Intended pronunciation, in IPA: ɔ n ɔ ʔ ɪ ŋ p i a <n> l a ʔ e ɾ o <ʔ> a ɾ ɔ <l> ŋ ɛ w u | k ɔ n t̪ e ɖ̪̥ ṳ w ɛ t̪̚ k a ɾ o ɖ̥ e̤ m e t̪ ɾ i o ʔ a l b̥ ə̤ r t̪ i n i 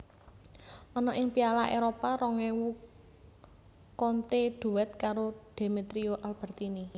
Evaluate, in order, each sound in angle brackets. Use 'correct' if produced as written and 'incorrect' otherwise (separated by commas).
incorrect, incorrect, incorrect